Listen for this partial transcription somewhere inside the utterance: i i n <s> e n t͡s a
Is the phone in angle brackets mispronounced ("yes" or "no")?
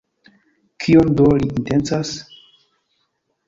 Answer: yes